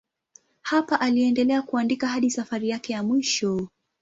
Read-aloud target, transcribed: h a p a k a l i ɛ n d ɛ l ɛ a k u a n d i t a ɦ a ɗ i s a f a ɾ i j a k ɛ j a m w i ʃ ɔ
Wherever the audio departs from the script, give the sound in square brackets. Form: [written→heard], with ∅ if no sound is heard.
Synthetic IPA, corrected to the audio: h a p a [k→ʔ] a l i ɛ n d ɛ l ɛ a k u a n d i [t→k] a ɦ a ɗ i s a f a ɾ i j a k ɛ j a m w i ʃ ɔ